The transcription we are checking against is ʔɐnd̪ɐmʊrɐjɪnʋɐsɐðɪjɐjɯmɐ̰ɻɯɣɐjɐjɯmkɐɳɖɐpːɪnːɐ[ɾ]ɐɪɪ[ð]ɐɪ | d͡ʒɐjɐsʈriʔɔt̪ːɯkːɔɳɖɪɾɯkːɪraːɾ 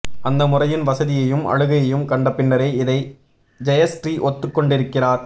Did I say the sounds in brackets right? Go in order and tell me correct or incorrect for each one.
correct, correct

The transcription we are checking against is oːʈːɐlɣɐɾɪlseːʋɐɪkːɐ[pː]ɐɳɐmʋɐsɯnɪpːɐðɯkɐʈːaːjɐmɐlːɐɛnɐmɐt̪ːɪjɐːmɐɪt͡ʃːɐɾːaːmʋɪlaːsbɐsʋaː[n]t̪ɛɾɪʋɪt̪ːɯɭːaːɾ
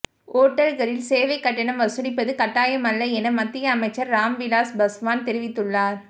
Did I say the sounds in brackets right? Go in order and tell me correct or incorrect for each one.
incorrect: ʈː, correct

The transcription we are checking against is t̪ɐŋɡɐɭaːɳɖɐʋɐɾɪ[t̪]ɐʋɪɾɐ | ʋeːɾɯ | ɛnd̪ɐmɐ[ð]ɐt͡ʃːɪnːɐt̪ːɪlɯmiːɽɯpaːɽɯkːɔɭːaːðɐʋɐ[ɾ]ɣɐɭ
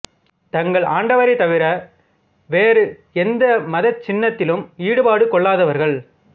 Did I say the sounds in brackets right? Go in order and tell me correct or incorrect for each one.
correct, correct, correct

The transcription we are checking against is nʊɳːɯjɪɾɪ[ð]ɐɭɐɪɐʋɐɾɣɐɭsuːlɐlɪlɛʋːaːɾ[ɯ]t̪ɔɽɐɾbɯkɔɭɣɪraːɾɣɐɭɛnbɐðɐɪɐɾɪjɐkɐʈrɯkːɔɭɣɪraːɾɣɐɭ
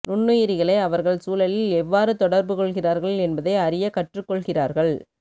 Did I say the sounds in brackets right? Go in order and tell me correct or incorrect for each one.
incorrect: ɣ, correct

